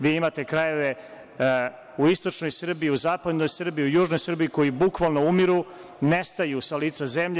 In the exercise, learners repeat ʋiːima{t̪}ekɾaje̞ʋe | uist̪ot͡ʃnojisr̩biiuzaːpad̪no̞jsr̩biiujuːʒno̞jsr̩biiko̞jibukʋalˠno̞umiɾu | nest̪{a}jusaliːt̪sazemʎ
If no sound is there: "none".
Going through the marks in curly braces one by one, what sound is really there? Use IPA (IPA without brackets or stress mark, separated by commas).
t̪, a